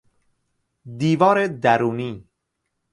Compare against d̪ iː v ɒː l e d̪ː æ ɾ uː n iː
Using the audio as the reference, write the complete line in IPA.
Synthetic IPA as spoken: d̪ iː v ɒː ɾ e d̪ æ ɾ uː n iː